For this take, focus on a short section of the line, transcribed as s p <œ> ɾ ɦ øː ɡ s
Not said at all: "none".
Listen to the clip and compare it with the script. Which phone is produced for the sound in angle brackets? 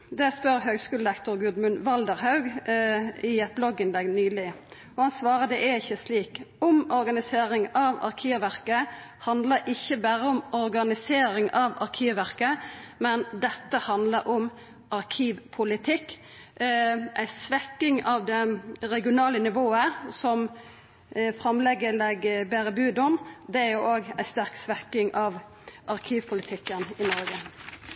œ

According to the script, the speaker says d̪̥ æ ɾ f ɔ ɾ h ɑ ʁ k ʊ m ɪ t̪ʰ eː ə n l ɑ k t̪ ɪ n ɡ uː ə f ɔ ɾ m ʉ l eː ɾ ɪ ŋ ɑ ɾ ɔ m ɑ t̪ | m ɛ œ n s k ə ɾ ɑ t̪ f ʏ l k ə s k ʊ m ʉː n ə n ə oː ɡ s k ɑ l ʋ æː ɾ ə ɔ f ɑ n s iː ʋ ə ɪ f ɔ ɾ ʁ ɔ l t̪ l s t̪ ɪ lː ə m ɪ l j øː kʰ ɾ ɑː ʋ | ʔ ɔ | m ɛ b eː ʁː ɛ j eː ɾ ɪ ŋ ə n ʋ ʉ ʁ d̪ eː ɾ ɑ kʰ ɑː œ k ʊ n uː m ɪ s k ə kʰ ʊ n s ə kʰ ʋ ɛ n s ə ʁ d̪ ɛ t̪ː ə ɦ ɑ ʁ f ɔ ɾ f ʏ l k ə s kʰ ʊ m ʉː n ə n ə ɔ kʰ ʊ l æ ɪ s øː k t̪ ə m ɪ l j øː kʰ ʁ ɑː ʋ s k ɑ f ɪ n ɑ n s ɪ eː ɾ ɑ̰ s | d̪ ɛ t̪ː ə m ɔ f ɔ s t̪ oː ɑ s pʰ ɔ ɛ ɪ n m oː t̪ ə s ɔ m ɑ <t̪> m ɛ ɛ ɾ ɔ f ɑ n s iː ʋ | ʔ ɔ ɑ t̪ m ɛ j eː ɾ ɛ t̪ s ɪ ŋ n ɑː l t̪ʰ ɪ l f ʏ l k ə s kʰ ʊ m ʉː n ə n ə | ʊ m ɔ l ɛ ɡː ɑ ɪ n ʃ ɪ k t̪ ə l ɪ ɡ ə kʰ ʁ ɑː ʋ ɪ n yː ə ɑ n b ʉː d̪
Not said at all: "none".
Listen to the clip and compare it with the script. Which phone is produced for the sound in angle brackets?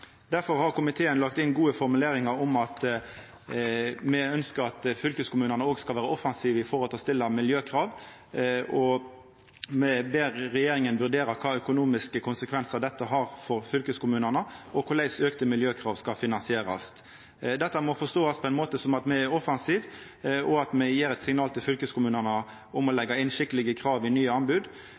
t̪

